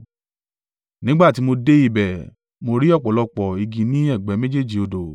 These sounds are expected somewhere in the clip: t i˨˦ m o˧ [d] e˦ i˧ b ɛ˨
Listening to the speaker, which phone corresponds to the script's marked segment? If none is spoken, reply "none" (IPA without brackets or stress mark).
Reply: d